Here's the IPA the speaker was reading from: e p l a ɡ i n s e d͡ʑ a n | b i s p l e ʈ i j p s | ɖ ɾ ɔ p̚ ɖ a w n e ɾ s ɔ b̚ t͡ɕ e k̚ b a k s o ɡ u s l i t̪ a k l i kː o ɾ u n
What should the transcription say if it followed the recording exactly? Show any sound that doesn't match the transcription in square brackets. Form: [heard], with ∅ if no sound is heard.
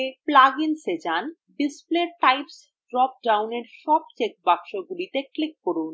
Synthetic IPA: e p l a ɡ i n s e d͡ʑ a n | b i s p l e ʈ [a] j p s | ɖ ɾ ɔ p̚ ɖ a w n e ɾ [ʃ] ɔ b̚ t͡ɕ e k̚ b a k [ʃ] o ɡ u [∅] l i t̪ [e] k l i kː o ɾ u n